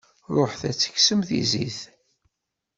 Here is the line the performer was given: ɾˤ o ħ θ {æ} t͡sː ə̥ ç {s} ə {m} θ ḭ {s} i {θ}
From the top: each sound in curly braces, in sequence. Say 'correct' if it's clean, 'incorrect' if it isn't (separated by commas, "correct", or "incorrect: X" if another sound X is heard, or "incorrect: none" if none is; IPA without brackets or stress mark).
correct, correct, correct, incorrect: z, correct